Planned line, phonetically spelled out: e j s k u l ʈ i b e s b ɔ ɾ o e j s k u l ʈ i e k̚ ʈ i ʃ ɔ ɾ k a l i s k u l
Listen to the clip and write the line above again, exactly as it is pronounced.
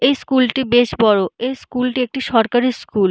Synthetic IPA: e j s k u l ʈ i b e ʃ b ɔ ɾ o e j s k u l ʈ i e k̚ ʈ i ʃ ɔ ɾ k a ɾ i s k u l